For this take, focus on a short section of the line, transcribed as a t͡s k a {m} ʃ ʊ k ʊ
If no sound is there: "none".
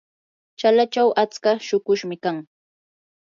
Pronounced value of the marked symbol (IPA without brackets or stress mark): none